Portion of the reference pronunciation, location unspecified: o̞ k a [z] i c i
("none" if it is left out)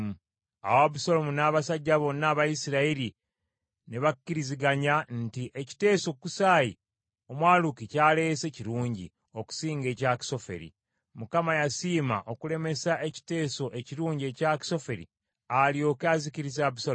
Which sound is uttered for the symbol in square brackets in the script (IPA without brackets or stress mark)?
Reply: z